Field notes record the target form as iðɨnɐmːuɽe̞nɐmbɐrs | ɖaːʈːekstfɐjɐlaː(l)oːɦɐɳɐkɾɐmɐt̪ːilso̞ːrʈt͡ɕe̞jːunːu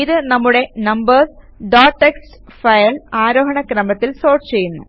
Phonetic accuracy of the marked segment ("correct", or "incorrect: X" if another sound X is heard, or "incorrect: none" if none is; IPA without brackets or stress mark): incorrect: ɾ